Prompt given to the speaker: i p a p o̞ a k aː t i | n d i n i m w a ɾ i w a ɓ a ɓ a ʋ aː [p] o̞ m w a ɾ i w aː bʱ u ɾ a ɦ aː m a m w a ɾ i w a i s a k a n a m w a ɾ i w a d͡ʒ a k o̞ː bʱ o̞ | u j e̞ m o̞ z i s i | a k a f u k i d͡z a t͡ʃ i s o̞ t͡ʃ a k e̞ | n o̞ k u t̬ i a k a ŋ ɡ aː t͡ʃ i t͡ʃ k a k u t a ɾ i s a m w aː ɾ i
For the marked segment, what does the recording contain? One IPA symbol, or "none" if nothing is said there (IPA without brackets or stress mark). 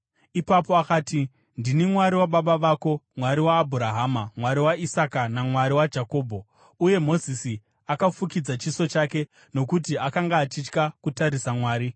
k